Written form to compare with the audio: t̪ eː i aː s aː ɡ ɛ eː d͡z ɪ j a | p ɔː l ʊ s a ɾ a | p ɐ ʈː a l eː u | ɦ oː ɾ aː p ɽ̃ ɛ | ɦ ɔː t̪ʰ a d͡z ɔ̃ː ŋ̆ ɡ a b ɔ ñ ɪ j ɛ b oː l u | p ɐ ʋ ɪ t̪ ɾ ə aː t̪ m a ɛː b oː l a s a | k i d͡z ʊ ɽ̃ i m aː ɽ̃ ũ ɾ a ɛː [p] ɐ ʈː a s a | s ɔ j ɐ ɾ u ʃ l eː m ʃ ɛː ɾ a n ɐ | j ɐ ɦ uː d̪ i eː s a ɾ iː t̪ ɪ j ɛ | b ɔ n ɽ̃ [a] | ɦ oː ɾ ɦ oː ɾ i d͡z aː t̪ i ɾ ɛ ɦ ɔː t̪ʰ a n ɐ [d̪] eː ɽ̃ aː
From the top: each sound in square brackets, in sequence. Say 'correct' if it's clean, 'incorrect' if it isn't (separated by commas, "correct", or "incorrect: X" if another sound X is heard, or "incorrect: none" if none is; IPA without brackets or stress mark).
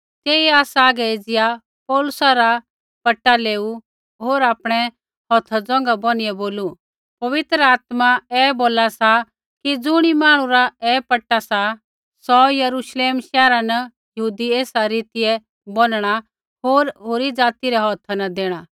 correct, correct, correct